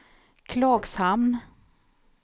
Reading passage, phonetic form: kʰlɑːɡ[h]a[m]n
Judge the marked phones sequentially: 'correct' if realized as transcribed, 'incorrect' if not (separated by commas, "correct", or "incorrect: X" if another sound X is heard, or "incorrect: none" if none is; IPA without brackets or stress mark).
incorrect: s, correct